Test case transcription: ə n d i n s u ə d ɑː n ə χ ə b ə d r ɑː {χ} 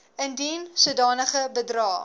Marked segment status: incorrect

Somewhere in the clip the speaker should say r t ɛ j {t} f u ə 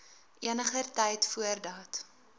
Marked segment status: correct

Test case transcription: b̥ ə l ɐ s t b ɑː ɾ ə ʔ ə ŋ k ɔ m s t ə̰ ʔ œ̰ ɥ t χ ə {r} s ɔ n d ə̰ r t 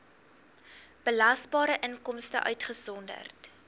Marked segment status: incorrect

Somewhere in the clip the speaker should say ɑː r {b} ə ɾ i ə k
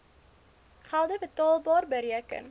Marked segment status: correct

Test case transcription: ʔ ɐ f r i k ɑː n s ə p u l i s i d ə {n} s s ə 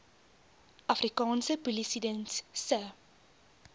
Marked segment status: correct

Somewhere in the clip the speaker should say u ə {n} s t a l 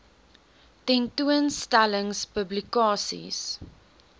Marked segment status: correct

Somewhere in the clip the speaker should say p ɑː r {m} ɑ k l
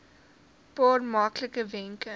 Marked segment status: correct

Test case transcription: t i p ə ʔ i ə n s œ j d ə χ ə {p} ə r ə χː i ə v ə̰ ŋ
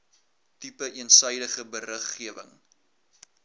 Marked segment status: incorrect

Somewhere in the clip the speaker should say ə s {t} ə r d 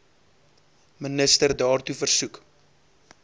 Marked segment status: correct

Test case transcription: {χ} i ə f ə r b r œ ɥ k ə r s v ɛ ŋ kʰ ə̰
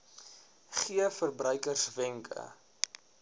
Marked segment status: correct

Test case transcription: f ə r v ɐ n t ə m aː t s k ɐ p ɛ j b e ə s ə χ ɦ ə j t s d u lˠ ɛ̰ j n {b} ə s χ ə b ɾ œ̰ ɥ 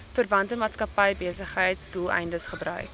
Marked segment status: incorrect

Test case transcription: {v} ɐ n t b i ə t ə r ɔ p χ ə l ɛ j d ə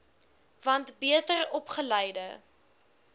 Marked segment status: correct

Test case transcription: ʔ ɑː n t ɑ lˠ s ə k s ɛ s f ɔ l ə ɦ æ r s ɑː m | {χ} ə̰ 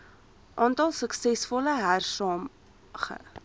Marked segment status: correct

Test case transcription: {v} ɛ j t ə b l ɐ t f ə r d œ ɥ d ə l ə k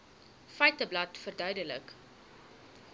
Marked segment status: incorrect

